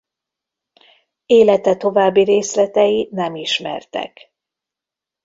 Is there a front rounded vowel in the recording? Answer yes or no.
no